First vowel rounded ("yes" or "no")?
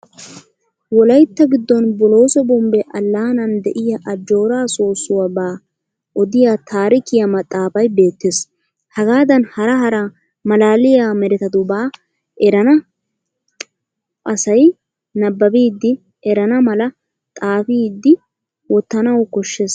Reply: yes